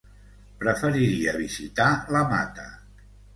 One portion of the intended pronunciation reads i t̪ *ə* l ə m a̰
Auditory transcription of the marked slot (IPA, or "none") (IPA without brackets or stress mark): a